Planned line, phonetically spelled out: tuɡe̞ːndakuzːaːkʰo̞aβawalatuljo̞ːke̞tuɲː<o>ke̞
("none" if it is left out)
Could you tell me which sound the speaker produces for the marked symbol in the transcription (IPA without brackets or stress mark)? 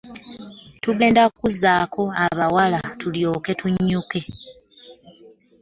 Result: u